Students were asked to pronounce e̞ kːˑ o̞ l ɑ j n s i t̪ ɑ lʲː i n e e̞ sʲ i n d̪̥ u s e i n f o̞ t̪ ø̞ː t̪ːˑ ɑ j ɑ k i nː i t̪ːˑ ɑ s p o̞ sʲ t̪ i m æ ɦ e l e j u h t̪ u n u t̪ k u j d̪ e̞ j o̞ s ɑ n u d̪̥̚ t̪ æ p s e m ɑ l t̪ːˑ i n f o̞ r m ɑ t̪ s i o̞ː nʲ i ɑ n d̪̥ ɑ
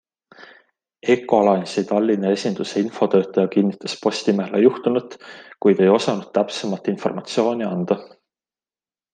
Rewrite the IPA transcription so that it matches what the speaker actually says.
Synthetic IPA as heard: e̞ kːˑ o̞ l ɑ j n s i t̪ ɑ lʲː i n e e̞ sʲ i n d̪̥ u s e i n f o̞ t̪ ø̞ː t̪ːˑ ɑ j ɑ k i nː i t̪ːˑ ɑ s p o̞ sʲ t̪ i m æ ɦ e l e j u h t̪ u n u t̪ k u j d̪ e̞ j o̞ s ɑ n u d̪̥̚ t̪ æ p s e m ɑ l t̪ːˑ i n f o̞ r m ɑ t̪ s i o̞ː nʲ i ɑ n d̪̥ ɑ